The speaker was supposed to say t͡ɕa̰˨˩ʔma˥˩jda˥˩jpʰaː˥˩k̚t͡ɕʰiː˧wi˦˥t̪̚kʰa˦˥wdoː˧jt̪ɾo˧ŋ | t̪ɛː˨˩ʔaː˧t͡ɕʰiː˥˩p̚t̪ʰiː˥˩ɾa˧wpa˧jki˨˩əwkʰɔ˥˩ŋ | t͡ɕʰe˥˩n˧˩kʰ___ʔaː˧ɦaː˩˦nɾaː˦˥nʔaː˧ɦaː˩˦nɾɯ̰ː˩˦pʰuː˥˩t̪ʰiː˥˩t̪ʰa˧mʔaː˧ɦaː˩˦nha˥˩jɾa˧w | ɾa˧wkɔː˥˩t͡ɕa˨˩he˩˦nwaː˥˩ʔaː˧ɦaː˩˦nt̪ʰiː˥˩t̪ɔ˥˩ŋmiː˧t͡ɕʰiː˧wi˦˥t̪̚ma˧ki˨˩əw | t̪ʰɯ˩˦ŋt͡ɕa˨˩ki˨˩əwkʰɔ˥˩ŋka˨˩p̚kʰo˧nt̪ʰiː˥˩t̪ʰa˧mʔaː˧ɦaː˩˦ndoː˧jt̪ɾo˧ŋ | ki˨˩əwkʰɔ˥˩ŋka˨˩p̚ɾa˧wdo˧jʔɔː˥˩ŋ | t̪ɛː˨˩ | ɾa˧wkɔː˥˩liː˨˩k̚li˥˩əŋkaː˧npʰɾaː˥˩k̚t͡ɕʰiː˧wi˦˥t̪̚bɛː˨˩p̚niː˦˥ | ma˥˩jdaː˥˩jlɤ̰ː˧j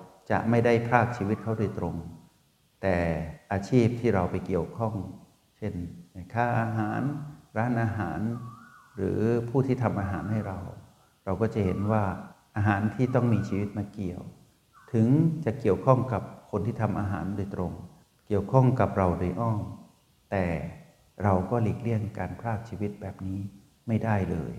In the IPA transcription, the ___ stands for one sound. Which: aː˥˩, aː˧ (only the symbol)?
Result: aː˥˩